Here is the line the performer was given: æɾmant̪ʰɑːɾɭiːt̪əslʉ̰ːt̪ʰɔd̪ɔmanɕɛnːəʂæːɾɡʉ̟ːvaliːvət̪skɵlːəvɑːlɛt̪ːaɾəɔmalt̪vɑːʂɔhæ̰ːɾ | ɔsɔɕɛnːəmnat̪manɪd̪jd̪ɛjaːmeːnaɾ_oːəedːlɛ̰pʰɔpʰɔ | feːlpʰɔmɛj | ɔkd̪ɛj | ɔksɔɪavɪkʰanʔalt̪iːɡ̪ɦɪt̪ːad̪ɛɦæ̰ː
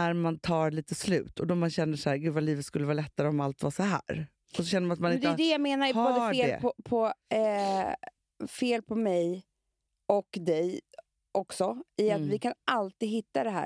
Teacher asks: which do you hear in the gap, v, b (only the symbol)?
b